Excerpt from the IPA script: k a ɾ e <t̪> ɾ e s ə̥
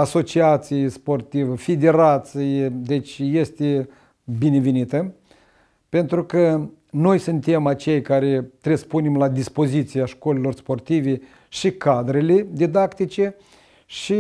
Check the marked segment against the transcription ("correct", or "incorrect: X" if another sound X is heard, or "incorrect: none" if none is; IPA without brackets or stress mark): correct